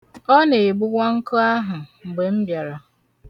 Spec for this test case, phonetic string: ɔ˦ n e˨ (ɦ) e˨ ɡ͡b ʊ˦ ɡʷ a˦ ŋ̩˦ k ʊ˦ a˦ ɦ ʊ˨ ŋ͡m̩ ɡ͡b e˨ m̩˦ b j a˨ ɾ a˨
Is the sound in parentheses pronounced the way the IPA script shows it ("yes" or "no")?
no